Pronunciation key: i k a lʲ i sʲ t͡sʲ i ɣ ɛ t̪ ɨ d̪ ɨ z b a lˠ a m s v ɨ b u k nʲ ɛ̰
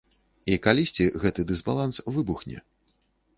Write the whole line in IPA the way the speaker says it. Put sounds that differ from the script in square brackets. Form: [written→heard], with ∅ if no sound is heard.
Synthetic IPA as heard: i k a lʲ i sʲ t͡sʲ i ɣ ɛ t̪ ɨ d̪ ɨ z b a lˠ a [m→n] s v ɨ b u [k→x] nʲ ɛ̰